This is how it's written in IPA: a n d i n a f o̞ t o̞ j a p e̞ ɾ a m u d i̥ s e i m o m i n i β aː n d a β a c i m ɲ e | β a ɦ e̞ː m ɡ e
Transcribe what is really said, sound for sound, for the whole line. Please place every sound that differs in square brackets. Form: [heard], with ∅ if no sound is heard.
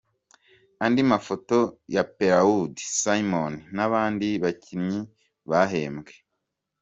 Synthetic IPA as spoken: a n d i [m] a f o̞ t o̞ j a p e̞ ɾ a [∅] u d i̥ s [a] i m o [n] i n [a] β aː n d [i] β a c i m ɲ [i] | β a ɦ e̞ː m ɡ e